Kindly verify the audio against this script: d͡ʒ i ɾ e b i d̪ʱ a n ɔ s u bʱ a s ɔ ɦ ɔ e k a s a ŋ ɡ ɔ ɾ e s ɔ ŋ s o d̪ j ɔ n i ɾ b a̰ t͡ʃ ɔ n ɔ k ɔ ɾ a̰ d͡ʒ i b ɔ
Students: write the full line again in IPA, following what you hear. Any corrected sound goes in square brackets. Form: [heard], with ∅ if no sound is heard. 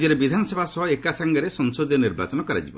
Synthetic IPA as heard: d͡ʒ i ɾ e b i d̪ʱ a n ɔ s [ɔ] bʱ a s ɔ ɦ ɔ e k a s a ŋ ɡ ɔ ɾ e s ɔ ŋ s o d̪ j ɔ n i ɾ b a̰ t͡ʃ ɔ n ɔ k ɔ ɾ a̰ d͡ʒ i b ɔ